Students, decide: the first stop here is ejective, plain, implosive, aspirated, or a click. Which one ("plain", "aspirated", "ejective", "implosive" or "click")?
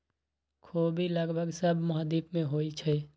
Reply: aspirated